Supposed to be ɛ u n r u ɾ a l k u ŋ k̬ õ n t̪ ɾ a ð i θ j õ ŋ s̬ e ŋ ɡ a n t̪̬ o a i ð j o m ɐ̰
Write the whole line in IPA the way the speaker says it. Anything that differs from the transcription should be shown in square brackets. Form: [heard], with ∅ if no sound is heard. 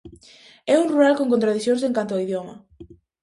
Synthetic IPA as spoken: ɛ u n r u ɾ a l k [o] ŋ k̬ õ n t̪ ɾ a ð i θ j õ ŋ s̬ e ŋ [k] a n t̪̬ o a i ð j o m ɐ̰